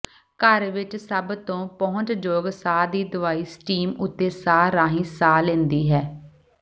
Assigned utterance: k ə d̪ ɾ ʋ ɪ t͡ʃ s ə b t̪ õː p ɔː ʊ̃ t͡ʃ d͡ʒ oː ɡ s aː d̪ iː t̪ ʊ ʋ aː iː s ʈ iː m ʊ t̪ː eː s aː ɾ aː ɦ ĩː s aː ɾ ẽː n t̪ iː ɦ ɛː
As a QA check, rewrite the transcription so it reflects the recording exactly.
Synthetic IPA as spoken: k ə ɾ ʋ ɪ t͡ʃ s ə b t̪ õː p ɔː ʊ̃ t͡ʃ d͡ʒ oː ɡ s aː d̪ iː d̪ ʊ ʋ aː iː s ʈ iː m ʊ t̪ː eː s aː ɾ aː ɦ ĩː s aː l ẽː n d̪ iː ɦ ɛː